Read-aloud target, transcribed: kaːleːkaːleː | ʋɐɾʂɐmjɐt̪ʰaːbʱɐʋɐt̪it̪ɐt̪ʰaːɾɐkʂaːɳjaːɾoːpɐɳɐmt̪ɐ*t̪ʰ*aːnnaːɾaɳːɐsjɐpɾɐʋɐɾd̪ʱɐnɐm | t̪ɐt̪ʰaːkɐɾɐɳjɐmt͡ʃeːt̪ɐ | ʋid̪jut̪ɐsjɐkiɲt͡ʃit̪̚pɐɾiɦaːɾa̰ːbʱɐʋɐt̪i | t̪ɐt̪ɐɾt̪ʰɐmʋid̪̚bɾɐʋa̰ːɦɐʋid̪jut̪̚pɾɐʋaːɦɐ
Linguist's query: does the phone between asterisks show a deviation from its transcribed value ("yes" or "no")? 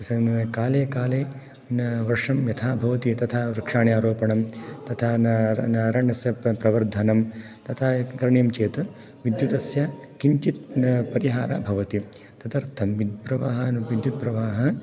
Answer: no